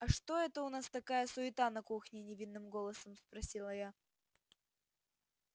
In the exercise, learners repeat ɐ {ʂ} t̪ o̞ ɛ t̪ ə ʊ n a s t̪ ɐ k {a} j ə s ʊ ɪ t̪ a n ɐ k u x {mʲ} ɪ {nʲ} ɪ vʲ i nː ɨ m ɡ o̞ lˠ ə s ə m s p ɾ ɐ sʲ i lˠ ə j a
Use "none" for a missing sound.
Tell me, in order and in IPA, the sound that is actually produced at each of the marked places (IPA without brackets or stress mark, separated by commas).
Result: ʂ, a, nʲ, nʲ